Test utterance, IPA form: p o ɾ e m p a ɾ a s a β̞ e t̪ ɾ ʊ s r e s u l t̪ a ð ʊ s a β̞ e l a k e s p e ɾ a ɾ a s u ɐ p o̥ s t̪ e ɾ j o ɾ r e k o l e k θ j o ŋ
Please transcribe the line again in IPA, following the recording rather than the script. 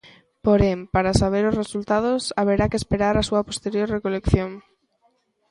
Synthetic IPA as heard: p o ɾ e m p a ɾ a s a β̞ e ɾ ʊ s r e s u l t̪ a ð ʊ s a β̞ e ɾ a k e s p e ɾ a ɾ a s u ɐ p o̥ s t̪ e ɾ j o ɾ r e k o l e k θ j o ŋ

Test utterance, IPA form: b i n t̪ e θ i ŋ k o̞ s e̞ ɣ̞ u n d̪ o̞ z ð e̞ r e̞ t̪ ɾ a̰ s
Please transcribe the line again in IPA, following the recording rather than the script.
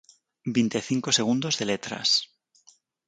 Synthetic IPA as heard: b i n t̪ e θ i ŋ k o̞ s e̞ ɣ̞ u n d̪ o̞ z ð e̞ l e̞ t̪ ɾ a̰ s

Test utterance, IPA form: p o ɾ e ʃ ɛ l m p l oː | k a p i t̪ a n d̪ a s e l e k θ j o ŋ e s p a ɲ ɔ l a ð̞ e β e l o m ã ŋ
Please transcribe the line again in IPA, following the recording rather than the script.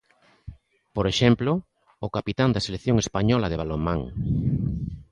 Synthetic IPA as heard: p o ɾ e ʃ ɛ m p l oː | k a p i t̪ a n d̪ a s e l e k θ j o ŋ e s p a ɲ ɔ l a ð̞ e β a l o m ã ŋ

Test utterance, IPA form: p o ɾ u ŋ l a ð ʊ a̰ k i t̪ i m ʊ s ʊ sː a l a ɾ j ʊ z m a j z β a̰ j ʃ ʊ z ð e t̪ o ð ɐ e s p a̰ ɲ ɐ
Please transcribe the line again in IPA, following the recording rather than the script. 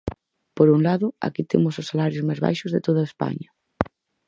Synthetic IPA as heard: p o ɾ u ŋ l a ð ʊ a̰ k i t̪ e m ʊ s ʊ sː a l a ɾ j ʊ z m a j z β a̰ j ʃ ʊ z ð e t̪ o ð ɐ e s p a̰ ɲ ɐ

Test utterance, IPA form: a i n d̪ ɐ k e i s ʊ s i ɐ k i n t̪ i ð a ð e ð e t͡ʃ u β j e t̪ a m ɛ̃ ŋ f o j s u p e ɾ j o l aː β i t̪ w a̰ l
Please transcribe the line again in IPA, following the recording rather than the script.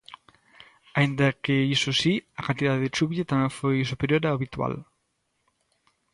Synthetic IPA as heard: a i n d̪ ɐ k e i s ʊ s i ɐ k a n t̪ i ð a ð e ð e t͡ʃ u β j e t̪ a m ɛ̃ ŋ f o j s u p e ɾ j o ɾ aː β i t̪ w a̰ l

